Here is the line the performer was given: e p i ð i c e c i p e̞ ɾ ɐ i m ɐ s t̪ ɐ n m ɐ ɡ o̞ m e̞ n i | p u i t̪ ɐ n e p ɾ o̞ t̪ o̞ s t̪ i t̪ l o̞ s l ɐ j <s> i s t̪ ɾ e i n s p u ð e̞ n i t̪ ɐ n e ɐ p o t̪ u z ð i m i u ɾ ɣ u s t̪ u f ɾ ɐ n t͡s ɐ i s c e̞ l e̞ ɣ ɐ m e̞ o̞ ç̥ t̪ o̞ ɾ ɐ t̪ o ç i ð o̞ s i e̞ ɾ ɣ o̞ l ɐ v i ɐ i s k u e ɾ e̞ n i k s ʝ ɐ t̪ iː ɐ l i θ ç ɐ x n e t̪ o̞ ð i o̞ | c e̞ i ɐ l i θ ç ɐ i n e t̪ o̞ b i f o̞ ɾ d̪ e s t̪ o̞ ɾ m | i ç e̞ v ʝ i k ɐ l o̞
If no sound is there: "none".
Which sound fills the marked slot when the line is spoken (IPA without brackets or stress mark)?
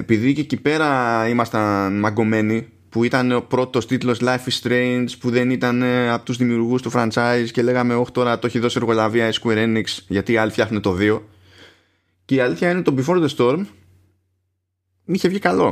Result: f